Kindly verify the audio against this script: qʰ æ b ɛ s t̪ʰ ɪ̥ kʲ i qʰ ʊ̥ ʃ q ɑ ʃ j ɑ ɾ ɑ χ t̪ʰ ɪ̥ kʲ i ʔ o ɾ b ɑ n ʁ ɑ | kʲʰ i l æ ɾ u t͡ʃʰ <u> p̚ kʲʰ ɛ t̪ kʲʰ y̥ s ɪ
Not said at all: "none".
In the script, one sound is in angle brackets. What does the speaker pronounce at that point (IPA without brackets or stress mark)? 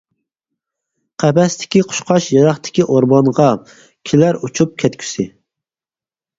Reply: u